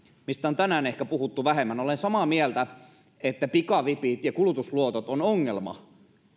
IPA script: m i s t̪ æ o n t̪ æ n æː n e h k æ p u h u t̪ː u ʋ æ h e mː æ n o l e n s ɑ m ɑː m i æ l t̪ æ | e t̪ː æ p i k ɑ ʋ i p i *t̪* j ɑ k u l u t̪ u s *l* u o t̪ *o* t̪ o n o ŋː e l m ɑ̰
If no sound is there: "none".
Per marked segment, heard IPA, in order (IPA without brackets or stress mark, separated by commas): t̪, l, o